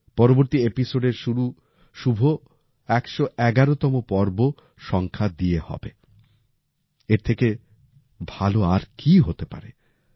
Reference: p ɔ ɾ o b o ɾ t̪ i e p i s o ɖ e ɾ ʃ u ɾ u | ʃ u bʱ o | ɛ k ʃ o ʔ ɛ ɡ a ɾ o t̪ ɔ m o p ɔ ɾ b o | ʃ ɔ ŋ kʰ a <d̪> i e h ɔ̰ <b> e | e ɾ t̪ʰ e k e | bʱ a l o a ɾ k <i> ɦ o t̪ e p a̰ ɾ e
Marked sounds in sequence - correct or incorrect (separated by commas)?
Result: correct, correct, correct